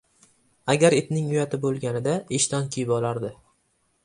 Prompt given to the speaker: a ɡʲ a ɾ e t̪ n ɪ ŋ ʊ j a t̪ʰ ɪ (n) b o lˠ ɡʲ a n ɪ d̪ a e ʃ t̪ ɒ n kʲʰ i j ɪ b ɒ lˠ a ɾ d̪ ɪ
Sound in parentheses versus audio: incorrect: none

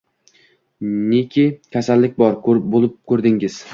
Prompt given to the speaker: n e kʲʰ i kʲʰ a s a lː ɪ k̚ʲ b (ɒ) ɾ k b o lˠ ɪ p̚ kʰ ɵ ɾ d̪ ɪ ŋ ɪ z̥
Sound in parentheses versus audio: correct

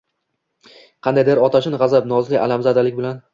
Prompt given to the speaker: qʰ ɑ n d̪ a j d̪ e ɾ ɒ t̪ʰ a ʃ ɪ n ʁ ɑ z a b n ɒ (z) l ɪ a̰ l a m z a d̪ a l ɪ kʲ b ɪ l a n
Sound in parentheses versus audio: correct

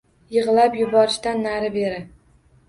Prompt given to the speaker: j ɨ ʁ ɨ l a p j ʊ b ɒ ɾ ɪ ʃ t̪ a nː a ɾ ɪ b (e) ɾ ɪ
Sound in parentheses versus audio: correct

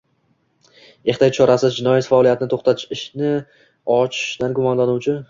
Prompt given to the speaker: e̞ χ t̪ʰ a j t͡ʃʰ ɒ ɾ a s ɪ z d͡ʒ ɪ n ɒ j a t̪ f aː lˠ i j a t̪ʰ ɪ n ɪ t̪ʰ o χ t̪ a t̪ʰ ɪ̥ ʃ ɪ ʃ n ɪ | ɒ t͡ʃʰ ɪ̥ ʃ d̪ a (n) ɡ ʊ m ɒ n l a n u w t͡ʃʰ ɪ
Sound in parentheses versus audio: correct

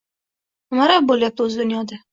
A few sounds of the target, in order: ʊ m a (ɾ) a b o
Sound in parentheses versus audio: correct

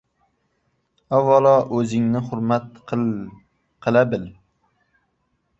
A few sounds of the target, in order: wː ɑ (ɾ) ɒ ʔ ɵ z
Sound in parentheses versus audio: incorrect: l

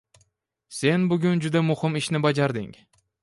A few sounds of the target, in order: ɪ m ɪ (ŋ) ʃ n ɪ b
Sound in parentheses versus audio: incorrect: none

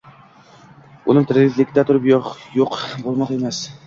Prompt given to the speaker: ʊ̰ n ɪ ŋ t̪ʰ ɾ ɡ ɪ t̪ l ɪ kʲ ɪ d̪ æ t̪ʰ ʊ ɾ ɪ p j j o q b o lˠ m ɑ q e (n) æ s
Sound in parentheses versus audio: incorrect: m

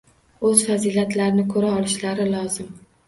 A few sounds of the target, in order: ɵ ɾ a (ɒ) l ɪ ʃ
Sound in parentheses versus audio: correct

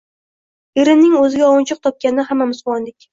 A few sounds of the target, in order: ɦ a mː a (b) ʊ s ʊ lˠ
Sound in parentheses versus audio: incorrect: m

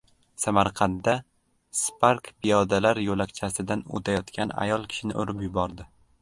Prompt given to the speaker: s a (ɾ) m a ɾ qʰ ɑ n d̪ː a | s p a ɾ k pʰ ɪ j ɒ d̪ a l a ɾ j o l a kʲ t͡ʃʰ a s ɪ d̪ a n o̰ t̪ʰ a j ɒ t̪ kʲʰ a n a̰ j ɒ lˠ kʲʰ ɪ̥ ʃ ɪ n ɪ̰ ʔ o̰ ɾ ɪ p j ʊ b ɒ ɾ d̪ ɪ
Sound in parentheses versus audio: incorrect: none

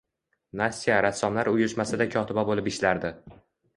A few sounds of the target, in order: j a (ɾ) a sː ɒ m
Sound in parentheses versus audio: correct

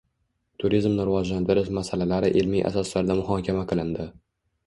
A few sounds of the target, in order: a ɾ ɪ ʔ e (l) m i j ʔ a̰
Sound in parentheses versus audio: correct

